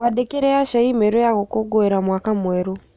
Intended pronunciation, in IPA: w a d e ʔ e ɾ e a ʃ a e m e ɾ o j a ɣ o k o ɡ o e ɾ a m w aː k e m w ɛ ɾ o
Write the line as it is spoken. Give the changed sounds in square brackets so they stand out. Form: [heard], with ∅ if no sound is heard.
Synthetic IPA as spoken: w a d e [k] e ɾ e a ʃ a [i] m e ɾ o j a ɣ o k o ɡ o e ɾ a m w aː k [a] m w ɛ ɾ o